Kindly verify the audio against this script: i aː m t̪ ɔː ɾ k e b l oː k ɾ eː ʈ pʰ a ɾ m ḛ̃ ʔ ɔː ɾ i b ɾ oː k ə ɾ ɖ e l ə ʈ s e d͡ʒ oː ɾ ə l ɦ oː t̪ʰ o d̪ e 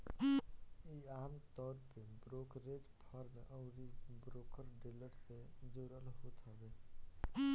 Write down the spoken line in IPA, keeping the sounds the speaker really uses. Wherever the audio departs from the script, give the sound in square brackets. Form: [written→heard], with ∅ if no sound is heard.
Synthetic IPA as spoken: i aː m t̪ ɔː ɾ [k→p] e b [l→ɾ] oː k ɾ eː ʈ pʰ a ɾ m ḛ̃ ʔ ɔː ɾ i b ɾ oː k ə ɾ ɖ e l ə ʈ s e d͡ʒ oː ɾ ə l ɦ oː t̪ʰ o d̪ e